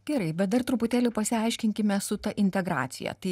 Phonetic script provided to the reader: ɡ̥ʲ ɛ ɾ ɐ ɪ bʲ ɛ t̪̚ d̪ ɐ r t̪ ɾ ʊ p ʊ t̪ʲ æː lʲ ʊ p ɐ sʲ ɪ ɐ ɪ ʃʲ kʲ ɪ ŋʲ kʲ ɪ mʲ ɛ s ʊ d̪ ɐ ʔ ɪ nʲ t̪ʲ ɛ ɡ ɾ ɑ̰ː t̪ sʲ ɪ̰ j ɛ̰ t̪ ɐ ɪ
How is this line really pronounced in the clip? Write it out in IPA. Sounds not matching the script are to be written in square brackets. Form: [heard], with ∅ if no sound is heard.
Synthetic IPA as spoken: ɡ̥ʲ ɛ ɾ ɐ ɪ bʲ ɛ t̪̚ d̪ ɐ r t̪ ɾ ʊ p ʊ t̪ʲ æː lʲ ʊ p ɐ sʲ ɪ ɐ ɪ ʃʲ kʲ ɪ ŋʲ kʲ ɪ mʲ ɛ s ʊ [t̪] ɐ ʔ ɪ nʲ t̪ʲ ɛ ɡ ɾ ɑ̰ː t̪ sʲ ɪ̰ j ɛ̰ t̪ ɐ ɪ